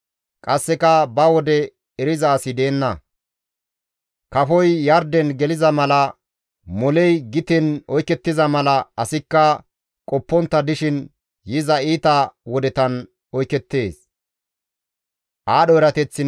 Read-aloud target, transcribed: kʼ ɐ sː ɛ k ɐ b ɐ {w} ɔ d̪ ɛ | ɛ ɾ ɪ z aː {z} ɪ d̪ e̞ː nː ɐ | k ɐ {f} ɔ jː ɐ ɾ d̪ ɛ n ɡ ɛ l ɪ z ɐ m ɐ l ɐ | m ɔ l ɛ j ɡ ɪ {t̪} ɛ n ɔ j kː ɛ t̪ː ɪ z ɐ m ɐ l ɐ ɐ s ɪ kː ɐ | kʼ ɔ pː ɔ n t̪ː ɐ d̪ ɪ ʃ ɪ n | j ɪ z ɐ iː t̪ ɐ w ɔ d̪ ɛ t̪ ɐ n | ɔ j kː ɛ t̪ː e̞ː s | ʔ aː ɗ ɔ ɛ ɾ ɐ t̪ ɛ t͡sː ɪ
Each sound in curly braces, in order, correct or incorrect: correct, incorrect: s, correct, correct

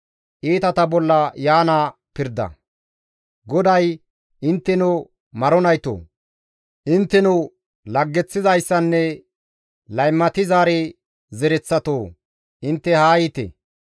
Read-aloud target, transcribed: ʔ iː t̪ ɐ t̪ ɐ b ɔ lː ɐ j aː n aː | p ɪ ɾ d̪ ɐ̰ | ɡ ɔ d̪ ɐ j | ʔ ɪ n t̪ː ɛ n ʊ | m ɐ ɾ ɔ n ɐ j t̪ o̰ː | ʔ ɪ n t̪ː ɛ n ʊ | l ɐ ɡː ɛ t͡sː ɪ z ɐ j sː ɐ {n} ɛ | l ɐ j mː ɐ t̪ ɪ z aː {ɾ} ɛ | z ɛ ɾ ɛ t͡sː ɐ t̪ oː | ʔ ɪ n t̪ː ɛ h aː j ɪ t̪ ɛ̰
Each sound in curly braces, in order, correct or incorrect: incorrect: nː, correct

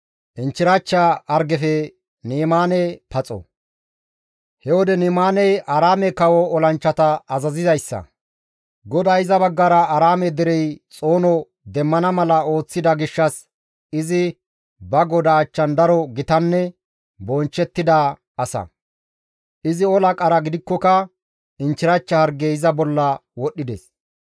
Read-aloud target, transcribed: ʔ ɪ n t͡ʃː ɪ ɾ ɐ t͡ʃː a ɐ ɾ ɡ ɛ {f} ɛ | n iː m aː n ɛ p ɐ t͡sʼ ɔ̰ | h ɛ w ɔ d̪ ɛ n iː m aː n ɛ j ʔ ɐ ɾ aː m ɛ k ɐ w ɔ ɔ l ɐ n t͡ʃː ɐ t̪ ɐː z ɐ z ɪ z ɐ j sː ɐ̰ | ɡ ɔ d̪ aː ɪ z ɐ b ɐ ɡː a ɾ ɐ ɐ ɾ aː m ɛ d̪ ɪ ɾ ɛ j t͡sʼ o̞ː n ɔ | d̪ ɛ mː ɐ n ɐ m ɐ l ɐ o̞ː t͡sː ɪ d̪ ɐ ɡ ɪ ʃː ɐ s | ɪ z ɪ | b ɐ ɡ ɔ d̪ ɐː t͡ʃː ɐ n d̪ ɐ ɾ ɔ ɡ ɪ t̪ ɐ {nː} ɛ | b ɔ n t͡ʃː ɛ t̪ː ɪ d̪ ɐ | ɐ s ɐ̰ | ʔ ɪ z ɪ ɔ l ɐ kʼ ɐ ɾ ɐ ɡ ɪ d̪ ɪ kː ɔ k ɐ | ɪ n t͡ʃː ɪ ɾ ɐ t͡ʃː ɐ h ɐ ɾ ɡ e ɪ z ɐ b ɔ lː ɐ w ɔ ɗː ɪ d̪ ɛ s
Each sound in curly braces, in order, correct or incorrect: correct, correct

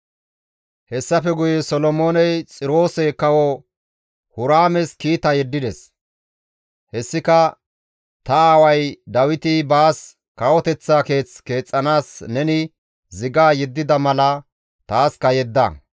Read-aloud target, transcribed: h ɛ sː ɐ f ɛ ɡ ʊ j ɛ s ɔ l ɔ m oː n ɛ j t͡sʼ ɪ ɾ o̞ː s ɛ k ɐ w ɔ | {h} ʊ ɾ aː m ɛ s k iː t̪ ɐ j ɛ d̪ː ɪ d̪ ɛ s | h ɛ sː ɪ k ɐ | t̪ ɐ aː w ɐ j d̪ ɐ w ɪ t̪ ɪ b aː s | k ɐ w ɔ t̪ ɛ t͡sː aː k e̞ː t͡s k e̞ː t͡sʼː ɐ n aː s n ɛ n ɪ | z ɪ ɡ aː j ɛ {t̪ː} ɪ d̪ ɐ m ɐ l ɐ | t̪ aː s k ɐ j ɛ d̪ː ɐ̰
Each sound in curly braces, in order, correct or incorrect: correct, incorrect: d̪ː

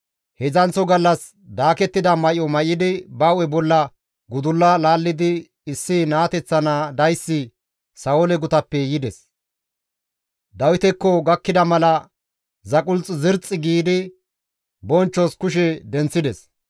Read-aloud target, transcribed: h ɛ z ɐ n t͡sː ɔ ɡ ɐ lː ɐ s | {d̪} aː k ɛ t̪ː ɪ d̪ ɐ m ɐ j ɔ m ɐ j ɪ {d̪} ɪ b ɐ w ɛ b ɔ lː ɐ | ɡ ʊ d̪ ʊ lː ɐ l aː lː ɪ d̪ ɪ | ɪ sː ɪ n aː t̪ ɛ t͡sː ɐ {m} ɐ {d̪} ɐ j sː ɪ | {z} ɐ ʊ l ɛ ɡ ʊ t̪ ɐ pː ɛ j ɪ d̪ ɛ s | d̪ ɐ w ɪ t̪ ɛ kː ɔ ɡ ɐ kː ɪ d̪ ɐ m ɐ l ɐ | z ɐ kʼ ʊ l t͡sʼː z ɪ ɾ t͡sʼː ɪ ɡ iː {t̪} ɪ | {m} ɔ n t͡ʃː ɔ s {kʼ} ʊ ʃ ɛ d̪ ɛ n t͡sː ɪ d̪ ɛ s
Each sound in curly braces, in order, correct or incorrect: correct, correct, incorrect: n, correct, incorrect: s, incorrect: d̪, incorrect: b, incorrect: k

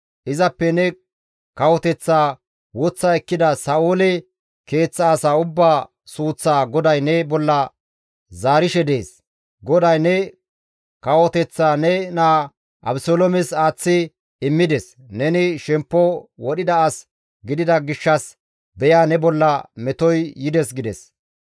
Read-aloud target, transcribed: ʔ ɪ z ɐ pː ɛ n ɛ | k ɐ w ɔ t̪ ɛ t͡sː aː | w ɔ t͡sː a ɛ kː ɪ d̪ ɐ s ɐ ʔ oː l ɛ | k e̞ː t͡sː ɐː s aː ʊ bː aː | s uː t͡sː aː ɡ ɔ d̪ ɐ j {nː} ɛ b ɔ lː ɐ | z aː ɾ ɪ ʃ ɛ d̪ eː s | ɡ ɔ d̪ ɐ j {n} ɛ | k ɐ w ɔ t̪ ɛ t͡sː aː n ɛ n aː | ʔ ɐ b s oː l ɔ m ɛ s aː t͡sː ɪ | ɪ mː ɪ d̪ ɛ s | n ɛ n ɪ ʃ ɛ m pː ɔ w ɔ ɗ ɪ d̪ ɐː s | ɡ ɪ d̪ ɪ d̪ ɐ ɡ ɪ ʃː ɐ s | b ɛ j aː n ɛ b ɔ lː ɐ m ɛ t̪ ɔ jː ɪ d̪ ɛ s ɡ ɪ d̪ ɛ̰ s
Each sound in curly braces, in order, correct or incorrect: incorrect: n, correct

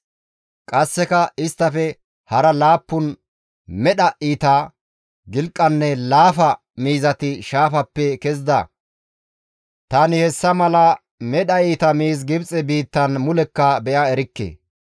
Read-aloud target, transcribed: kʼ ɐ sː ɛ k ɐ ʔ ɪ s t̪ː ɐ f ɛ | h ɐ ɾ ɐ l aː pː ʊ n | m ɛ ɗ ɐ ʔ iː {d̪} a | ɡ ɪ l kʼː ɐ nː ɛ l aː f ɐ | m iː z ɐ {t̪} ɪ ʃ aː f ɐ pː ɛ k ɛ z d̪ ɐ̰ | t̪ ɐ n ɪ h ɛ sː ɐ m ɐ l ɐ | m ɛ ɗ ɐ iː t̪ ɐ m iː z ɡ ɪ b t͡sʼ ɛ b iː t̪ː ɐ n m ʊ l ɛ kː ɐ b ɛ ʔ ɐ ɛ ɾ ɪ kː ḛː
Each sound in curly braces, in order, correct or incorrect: incorrect: t̪, correct

